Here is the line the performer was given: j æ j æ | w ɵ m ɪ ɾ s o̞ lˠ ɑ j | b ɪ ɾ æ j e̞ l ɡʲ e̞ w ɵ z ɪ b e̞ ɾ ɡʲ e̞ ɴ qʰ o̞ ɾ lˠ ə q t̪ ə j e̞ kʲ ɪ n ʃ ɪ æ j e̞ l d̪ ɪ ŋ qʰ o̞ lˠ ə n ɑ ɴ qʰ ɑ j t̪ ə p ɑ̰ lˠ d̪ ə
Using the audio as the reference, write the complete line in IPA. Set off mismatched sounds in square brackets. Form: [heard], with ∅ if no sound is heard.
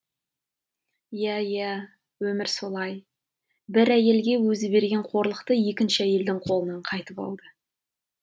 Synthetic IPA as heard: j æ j æ | w ɵ m ɪ ɾ s o̞ lˠ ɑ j | b ɪ ɾ æ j e̞ l ɡʲ e̞ w ɵ z ɪ b e̞ ɾ ɡʲ e̞ ɴ qʰ o̞ ɾ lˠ ə q t̪ ə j e̞ kʲ ɪ n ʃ ɪ æ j e̞ l d̪ ɪ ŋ qʰ o̞ lˠ ə n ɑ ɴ qʰ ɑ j t̪ ə p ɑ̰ lˠ d̪ ə